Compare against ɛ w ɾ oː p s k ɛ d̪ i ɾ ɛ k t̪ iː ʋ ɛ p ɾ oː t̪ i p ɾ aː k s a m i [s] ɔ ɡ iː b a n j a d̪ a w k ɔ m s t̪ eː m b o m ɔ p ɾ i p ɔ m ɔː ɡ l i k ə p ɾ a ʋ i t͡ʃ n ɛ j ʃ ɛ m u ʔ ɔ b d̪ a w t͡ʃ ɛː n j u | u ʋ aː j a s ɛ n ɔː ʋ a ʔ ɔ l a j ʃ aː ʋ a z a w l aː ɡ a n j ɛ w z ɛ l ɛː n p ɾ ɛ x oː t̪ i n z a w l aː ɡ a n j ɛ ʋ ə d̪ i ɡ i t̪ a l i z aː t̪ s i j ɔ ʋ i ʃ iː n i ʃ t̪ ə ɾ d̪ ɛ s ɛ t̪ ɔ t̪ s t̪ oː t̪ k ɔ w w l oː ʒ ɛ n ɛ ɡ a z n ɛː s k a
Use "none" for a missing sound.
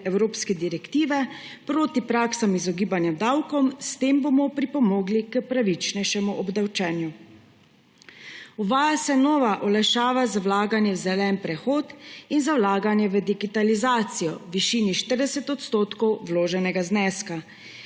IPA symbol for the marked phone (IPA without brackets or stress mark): z